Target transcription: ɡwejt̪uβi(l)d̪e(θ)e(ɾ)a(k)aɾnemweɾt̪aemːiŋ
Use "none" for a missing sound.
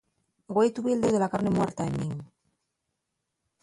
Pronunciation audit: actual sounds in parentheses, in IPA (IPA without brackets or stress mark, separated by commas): l, ð, l, k